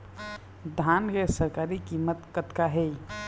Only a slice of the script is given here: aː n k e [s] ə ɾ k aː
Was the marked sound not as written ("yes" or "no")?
no